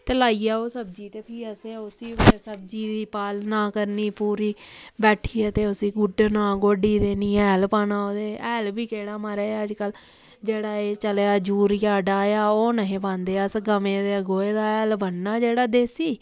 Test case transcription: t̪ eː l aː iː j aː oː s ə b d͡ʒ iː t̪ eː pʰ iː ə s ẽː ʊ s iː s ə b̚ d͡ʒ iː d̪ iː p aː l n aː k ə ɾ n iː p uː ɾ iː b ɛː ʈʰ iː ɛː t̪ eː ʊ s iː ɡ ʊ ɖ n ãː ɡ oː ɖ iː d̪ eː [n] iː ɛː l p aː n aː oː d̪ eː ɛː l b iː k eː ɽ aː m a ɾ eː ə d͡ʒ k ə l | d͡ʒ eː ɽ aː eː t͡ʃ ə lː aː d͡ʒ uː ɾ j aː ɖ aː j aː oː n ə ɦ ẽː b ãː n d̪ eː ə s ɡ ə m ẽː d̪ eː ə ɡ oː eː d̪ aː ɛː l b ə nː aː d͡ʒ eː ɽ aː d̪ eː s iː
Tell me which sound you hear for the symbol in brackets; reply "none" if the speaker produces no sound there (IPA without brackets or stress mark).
n